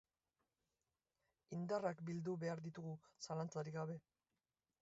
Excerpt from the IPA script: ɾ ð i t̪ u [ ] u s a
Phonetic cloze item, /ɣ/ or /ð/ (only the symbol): ɣ